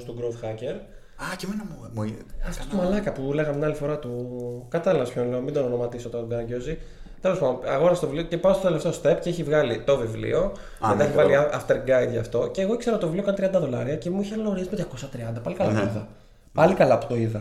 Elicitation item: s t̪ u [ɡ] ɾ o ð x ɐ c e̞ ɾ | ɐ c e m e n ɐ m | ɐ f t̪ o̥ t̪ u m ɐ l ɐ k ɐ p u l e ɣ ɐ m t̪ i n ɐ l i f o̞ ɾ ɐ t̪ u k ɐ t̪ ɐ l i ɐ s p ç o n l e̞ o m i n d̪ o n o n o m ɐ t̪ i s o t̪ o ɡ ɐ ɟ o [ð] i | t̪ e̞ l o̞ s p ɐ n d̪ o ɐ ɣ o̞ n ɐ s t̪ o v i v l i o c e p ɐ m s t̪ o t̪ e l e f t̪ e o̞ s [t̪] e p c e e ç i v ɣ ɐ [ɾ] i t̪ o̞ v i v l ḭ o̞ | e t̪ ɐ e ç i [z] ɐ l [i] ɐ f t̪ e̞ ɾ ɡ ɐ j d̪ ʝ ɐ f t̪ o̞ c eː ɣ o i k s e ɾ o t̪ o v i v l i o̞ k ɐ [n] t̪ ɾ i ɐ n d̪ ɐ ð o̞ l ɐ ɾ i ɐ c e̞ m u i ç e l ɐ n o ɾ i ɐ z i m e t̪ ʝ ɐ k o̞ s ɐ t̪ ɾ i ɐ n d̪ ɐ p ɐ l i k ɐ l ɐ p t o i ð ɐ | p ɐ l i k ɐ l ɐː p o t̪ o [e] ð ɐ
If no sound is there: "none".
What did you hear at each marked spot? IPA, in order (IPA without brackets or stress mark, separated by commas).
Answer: ɡ, z, t̪, l, v, i, n, i